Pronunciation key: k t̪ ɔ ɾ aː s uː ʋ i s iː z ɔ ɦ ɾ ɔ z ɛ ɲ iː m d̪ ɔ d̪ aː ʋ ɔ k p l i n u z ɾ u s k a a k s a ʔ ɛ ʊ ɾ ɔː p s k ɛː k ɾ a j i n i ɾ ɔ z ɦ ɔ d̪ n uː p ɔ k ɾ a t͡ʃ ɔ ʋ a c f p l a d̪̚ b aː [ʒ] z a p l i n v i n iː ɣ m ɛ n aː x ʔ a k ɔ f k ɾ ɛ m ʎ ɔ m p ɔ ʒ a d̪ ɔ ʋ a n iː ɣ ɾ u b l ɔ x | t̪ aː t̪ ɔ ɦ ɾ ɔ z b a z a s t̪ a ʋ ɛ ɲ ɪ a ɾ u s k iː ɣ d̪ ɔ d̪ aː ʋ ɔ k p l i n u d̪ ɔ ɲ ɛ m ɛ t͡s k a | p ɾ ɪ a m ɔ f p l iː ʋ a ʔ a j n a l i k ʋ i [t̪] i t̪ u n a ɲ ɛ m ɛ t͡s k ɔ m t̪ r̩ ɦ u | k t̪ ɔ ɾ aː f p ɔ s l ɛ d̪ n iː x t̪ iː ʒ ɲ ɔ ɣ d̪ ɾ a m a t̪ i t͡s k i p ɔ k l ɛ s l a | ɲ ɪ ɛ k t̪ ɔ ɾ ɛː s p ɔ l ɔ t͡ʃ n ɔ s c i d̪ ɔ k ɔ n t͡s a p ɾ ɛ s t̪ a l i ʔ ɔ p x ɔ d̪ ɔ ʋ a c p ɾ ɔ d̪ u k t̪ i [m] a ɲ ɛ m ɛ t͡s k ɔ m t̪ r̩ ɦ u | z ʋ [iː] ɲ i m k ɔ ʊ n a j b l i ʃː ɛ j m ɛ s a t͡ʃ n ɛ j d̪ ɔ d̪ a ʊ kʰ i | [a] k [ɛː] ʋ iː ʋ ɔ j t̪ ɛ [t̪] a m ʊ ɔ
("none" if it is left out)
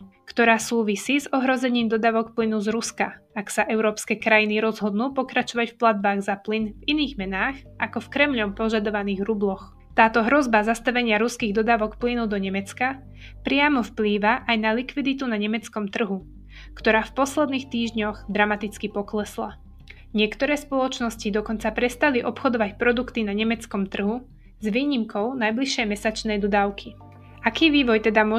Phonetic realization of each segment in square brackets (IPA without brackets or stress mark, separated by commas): ɣ, d̪, n, iː, a, iː, d̪